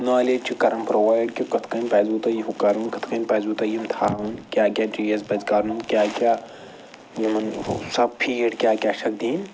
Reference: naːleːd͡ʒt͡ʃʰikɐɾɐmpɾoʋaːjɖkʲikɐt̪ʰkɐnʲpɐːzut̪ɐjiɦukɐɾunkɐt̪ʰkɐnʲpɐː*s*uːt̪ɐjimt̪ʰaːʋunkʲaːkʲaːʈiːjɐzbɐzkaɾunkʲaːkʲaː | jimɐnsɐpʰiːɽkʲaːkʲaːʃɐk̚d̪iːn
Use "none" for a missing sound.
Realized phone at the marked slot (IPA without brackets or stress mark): z